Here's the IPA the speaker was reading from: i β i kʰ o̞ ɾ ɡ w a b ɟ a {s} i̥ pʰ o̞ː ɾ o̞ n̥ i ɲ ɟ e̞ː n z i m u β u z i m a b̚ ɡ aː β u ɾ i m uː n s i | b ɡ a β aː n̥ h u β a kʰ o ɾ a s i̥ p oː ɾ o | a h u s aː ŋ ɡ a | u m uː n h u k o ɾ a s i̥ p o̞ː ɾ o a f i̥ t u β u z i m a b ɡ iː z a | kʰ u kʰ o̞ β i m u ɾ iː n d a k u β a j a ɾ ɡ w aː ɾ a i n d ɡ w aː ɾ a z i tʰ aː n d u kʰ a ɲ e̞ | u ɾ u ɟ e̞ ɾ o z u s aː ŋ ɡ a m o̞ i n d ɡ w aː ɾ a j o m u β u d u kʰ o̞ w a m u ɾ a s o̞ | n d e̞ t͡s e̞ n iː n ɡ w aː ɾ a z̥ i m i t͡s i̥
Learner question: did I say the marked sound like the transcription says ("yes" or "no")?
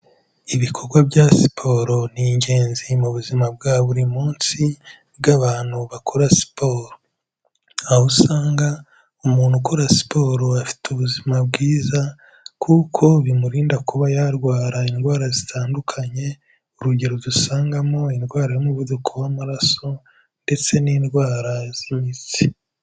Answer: yes